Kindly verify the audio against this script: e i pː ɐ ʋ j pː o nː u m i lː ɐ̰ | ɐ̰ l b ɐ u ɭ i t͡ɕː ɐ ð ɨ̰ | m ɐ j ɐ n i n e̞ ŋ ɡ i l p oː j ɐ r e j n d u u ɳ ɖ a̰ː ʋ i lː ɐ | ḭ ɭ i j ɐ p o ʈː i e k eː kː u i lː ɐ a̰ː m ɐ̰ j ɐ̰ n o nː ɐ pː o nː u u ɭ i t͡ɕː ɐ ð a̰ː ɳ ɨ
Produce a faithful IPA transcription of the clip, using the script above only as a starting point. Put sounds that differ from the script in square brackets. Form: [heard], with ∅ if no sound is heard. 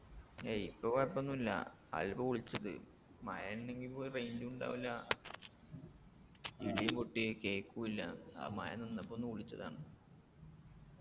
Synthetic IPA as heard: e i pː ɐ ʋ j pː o nː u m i lː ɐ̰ | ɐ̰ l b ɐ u ɭ i t͡ɕː ɐ ð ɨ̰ | m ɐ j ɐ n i n e̞ ŋ ɡ i l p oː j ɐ r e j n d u u ɳ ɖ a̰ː ʋ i lː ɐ | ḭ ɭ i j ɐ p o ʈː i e k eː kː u i lː ɐ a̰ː m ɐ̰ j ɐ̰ n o nː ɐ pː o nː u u ɭ i t͡ɕː ɐ ð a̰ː ɳ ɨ